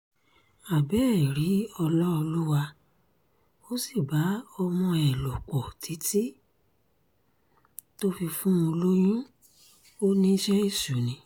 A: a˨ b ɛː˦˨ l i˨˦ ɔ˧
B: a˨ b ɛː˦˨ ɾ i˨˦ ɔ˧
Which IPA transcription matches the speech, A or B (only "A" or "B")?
B